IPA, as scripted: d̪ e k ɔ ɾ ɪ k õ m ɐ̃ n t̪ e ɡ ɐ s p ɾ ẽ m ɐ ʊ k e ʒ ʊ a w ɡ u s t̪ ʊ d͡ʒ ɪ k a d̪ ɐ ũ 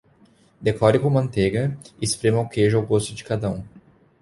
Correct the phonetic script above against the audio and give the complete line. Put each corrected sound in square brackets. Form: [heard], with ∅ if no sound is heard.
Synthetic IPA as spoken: d̪ e k ɔ ɾ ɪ k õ m ɐ̃ n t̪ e ɡ ɐ s p ɾ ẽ m ɐ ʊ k e ʒ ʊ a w ɡ [o] s t̪ ʊ d͡ʒ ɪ k a d̪ ɐ ũ